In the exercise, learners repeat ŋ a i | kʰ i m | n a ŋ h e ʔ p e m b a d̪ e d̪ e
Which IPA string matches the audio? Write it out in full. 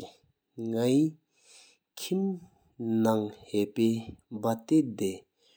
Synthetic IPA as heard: ŋ a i | kʰ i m | n a ŋ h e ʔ p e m b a t̪ e d̪ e